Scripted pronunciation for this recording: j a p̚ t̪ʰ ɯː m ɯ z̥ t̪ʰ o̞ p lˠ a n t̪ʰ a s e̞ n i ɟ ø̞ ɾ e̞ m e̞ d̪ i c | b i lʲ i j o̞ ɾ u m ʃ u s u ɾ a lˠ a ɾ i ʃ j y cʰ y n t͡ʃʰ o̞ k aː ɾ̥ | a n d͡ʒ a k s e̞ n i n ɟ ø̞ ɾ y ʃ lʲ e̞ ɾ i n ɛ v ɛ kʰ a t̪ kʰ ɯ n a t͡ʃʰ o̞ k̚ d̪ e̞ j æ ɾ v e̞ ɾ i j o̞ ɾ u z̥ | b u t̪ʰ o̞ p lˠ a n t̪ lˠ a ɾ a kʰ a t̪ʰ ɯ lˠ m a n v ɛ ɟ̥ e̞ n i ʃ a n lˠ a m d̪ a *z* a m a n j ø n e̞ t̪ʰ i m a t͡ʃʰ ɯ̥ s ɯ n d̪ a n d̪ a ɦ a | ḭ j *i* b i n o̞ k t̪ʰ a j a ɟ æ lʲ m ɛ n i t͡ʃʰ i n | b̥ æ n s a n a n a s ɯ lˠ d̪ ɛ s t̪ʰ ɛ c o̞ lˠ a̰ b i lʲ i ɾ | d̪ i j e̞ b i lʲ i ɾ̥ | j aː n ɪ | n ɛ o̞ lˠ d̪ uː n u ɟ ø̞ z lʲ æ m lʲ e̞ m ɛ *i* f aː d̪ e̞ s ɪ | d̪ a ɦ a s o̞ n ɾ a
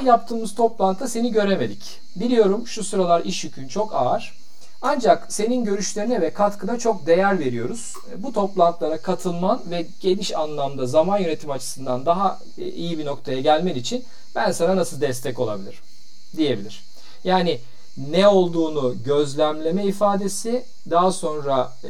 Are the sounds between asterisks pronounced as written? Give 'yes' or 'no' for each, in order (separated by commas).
yes, yes, yes